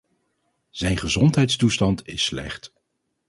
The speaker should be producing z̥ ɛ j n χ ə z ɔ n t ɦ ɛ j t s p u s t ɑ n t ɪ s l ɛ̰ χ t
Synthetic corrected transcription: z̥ ɛ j n χ ə z ɔ n t ɦ ɛ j t s t u s t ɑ n t ɪ s l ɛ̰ χ t